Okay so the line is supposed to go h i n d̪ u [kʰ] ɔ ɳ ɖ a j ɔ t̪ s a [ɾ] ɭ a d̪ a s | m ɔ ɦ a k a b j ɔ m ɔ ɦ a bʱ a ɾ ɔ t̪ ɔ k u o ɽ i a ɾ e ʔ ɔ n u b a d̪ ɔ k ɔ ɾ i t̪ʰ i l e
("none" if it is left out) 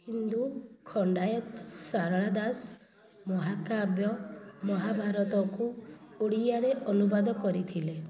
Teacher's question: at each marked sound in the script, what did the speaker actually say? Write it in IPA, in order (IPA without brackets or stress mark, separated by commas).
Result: kʰ, ɾ